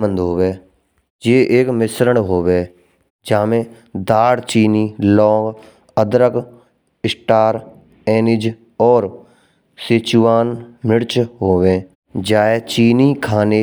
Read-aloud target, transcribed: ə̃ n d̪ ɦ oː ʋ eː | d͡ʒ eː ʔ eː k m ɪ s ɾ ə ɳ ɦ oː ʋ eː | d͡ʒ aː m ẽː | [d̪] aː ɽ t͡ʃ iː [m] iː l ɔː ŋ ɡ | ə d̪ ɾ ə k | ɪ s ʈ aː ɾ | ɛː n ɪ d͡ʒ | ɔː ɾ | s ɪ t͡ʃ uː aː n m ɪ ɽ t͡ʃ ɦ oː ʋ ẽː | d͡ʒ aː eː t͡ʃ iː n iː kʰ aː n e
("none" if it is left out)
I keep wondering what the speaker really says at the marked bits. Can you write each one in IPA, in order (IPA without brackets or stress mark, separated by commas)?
d̪, n